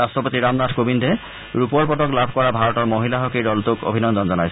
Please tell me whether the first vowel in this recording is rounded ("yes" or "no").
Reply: no